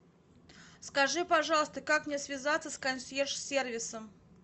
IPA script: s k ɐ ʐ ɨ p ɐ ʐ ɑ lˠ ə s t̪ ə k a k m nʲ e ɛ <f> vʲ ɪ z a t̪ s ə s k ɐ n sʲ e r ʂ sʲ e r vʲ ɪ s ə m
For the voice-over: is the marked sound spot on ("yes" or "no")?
no